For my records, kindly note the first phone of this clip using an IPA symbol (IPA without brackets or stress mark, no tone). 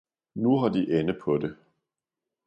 n